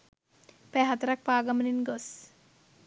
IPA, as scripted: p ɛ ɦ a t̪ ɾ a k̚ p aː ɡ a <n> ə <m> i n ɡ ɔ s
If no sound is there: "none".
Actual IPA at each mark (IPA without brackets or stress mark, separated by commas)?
m, n